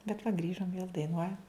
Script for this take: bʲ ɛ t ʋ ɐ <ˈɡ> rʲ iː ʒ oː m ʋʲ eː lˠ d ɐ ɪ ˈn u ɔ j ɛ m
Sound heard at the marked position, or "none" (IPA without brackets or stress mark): ɡ